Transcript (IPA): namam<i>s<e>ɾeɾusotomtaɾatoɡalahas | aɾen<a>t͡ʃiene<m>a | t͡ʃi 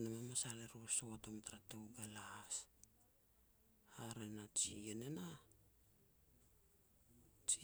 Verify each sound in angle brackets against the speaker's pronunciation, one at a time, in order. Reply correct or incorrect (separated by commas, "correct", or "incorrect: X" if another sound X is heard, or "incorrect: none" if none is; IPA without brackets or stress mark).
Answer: incorrect: a, incorrect: a, correct, incorrect: n